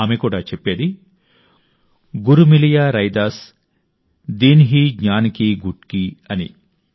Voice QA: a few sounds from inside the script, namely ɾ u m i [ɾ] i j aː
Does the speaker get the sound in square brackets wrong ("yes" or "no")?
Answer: yes